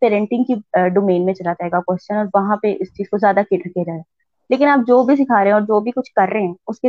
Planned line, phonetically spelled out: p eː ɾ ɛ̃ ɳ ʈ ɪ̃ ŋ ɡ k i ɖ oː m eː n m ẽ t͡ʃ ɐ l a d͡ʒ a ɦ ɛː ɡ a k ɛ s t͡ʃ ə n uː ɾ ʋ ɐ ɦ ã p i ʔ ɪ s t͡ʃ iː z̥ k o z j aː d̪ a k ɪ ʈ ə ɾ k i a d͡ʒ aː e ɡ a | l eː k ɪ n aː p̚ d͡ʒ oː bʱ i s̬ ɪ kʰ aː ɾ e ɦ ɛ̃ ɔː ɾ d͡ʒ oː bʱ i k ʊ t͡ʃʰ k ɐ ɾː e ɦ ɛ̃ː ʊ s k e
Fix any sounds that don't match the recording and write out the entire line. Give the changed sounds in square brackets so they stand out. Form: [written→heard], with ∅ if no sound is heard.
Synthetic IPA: p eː ɾ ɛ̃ ɳ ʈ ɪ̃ ŋ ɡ k i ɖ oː m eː n m ẽ t͡ʃ ɐ l a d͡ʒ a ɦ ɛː ɡ a k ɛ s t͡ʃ ə n [uː→ɔː] ɾ ʋ ɐ ɦ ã p [i→e] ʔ ɪ s t͡ʃ iː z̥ k o z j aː d̪ a k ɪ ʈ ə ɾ k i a d͡ʒ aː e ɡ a | l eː k ɪ n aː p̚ d͡ʒ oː bʱ i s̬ ɪ kʰ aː ɾ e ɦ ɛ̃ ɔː ɾ d͡ʒ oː bʱ i k ʊ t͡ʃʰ k ɐ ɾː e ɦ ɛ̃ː ʊ s k e